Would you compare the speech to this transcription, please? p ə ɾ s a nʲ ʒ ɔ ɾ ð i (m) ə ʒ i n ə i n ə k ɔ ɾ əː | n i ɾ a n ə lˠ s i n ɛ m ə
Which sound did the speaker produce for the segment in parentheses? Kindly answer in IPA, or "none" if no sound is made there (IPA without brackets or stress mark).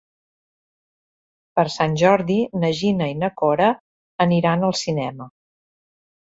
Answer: n